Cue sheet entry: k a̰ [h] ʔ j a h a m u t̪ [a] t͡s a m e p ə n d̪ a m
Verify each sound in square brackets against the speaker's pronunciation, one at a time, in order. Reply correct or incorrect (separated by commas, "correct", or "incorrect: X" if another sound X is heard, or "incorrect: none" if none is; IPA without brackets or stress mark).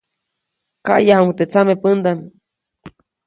incorrect: none, incorrect: e